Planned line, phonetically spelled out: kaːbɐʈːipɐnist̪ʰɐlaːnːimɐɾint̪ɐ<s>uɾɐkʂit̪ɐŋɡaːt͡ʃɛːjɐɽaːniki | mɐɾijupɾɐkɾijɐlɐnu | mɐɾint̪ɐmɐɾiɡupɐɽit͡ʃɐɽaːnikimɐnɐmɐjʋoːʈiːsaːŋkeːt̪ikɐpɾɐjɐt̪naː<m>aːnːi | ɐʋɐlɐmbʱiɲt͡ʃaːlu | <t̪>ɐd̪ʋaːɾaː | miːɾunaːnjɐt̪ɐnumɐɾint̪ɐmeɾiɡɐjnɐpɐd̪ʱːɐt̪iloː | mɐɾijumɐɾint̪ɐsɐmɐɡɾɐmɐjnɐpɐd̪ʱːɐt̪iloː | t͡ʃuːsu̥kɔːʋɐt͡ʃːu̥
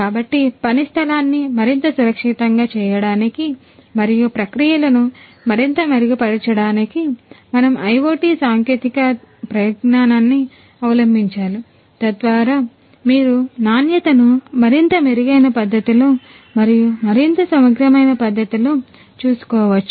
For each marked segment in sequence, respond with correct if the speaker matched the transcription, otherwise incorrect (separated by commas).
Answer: correct, incorrect, correct